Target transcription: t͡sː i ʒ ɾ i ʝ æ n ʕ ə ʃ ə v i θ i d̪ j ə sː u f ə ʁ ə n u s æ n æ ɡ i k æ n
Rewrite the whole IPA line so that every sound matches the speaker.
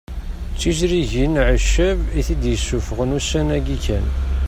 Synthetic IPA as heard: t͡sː i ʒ ɾ i ʝ i n ʕ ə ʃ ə v i θ i d̪ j ə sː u f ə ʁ ə n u s æ n æ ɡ i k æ n